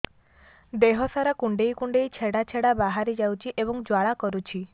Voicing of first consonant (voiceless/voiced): voiced